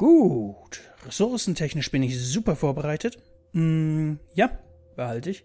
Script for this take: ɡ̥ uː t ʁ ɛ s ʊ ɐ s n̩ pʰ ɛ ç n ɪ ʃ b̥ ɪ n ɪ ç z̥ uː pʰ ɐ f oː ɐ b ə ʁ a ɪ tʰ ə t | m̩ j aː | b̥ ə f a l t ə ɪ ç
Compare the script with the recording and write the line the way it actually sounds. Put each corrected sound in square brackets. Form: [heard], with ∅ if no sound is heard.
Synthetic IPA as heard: ɡ̥ uː t ʁ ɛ s ʊ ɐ s n̩ [tʰ] ɛ ç n ɪ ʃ b̥ ɪ n ɪ ç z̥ uː [p] ɐ f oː ɐ b ə ʁ a ɪ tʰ ə t | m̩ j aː | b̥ ə [h] a l t ə ɪ ç